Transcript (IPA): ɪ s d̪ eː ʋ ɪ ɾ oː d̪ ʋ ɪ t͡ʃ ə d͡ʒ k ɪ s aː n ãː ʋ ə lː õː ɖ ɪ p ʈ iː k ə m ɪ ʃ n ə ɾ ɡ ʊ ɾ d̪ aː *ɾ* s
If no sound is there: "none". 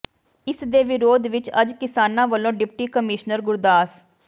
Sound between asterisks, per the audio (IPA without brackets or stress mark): none